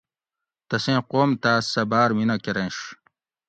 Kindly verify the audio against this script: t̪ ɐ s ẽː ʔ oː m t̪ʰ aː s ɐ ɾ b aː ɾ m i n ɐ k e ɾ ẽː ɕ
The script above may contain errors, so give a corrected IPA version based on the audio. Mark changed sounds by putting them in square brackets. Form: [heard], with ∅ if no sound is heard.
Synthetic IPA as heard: t̪ ɐ s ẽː [q] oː m [t̪] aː s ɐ [∅] b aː ɾ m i n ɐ k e ɾ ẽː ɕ